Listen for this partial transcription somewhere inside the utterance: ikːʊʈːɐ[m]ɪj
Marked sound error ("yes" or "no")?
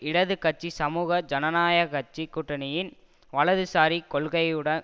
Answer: yes